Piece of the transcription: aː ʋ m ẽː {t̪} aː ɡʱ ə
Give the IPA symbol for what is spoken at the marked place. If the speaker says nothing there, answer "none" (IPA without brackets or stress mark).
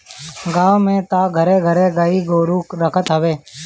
t̪